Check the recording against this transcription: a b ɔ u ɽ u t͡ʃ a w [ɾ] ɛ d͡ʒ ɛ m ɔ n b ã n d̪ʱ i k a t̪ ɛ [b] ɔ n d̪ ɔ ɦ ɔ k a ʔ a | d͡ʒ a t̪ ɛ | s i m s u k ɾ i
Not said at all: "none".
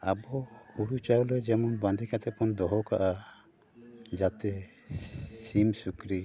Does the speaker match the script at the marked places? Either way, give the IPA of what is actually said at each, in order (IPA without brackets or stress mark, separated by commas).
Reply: l, p